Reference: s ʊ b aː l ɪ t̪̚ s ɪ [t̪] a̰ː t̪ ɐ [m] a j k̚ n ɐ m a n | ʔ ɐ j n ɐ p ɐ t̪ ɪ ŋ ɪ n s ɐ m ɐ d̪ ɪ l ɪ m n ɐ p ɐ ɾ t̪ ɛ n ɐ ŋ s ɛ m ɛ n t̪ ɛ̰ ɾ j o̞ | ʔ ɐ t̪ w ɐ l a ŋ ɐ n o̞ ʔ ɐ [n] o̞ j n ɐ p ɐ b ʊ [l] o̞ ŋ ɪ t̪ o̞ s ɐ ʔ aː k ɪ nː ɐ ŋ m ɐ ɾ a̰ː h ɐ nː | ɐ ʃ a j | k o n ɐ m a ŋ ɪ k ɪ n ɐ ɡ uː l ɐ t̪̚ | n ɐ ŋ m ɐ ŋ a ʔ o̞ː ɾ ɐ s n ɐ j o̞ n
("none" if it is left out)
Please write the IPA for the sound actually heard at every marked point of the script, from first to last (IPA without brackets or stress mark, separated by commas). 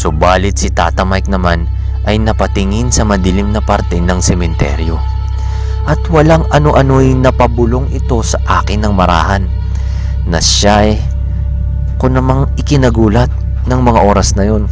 t̪, m, n, l